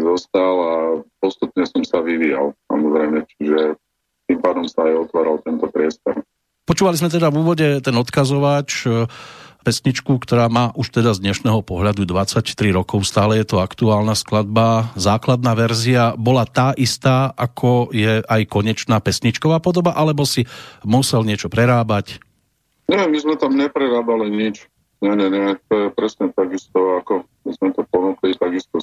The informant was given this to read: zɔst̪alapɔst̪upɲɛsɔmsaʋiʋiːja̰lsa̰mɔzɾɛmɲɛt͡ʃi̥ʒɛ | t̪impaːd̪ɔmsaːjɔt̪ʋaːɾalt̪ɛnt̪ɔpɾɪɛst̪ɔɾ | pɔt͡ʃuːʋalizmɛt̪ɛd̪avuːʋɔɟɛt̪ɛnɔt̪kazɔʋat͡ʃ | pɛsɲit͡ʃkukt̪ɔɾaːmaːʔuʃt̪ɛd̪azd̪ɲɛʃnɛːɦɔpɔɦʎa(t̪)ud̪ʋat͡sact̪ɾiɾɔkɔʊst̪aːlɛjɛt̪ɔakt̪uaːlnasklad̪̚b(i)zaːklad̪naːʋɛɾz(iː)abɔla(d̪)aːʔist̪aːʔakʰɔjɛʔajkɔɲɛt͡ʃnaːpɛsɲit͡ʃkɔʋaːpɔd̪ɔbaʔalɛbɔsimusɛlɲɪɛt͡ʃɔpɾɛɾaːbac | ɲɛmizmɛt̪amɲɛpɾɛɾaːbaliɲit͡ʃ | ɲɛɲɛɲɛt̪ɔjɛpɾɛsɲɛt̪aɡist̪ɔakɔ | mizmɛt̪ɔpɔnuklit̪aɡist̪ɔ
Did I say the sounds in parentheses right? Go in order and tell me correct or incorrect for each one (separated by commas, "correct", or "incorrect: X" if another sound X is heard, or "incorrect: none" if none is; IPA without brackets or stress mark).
incorrect: d̪, incorrect: a, incorrect: i, incorrect: t̪